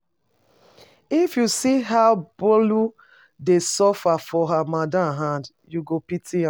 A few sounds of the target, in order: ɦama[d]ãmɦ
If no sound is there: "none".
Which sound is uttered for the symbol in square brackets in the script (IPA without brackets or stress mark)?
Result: d